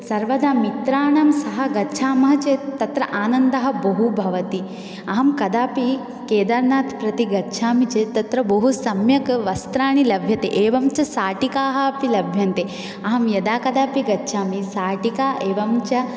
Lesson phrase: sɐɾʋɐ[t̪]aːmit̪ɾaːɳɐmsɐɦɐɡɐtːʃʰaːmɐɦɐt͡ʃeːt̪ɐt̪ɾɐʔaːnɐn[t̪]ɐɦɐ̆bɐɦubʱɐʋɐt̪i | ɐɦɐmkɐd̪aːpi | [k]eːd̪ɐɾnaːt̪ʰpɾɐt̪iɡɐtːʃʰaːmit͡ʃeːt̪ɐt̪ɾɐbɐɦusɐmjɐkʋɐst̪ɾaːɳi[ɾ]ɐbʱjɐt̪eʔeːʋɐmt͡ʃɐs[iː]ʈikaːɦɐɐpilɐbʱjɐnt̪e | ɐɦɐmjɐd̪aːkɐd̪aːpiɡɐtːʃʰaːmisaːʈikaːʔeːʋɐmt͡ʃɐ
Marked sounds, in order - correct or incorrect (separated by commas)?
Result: incorrect, incorrect, correct, incorrect, incorrect